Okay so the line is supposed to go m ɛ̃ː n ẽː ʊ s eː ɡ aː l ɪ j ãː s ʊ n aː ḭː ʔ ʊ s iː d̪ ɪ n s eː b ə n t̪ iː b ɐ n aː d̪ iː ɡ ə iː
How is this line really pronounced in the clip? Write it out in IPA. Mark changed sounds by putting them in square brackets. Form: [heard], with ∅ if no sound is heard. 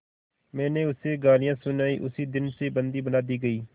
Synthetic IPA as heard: m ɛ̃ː n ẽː ʊ s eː ɡ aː l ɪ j ãː s ʊ n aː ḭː ʔ ʊ s iː d̪ ɪ n s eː b ə n [d̪] iː b [ə] n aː d̪ iː ɡ ə iː